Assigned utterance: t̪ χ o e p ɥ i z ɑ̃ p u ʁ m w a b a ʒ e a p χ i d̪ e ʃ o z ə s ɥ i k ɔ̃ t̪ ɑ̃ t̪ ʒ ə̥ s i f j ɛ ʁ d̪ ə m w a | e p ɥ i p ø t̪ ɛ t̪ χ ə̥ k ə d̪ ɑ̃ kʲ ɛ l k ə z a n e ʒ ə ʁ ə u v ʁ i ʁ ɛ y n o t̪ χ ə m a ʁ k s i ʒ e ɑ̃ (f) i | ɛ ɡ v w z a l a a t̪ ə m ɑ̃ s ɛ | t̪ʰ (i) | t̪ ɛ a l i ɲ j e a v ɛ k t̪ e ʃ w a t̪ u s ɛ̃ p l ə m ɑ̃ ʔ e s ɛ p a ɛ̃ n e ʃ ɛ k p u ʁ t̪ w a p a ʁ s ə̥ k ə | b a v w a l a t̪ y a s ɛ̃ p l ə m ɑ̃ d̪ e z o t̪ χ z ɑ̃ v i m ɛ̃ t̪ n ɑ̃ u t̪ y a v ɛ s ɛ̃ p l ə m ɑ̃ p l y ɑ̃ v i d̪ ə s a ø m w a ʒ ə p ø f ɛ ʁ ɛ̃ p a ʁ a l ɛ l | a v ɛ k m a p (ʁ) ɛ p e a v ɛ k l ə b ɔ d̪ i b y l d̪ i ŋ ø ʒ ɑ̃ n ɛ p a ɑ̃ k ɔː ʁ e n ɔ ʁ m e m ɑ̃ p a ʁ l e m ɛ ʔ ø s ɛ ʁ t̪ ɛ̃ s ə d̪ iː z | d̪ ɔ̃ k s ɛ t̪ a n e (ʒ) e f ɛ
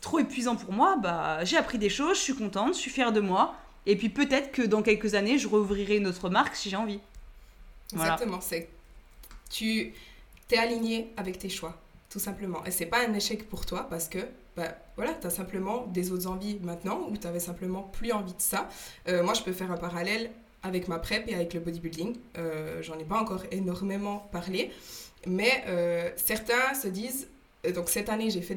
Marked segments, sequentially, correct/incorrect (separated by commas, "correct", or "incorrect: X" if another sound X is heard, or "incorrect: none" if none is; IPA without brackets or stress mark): incorrect: v, incorrect: y, incorrect: χ, correct